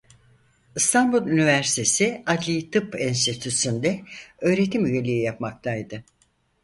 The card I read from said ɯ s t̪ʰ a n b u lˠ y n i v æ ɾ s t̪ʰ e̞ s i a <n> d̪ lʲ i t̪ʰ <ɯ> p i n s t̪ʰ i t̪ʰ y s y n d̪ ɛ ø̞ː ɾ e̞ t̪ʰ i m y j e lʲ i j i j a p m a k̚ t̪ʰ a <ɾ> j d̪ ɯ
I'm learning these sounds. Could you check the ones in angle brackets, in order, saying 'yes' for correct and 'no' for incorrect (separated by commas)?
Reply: no, yes, no